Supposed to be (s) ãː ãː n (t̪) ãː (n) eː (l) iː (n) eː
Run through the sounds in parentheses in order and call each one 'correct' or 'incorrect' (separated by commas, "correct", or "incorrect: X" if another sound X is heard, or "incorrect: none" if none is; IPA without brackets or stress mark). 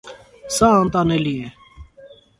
correct, correct, correct, correct, incorrect: none